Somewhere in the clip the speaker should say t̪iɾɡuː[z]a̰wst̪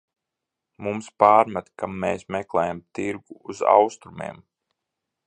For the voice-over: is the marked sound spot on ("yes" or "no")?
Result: yes